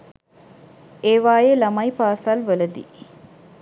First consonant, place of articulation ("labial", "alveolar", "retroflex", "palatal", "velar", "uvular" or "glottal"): labial